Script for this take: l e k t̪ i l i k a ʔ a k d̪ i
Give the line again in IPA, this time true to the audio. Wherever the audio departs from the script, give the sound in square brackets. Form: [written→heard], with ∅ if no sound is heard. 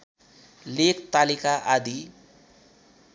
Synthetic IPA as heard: l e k t̪ [i→a] l i k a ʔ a [k→∅] d̪ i